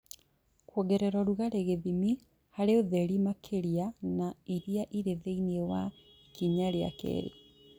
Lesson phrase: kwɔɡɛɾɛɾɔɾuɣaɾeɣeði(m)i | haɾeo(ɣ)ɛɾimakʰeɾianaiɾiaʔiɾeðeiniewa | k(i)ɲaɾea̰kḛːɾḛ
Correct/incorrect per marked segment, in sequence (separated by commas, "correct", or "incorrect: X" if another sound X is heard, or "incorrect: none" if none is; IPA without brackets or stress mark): correct, incorrect: ð, correct